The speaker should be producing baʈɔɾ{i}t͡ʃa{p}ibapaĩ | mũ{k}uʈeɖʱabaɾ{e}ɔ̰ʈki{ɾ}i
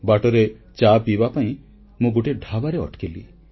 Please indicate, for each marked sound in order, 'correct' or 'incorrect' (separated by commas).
incorrect, correct, incorrect, correct, incorrect